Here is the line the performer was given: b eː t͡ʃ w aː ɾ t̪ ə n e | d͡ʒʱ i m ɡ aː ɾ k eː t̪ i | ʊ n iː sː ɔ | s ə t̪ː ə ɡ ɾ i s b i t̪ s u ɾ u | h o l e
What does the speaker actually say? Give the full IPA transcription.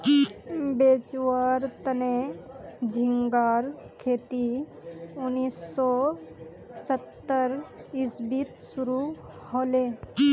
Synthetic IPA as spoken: b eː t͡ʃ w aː ɾ t̪ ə n e | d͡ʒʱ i ŋ ɡ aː ɾ kʰ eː t̪ i | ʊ n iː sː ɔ | s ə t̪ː ə ɾ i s b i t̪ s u ɾ u | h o l e